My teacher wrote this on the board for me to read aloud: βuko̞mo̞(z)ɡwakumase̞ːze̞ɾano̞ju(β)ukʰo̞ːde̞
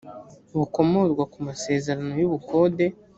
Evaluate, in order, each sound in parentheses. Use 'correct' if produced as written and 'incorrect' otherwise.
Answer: correct, correct

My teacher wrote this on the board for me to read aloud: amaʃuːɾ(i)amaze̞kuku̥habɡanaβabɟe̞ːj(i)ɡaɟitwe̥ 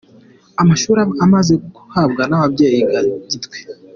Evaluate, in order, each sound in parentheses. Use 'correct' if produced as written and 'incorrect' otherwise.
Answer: incorrect, correct

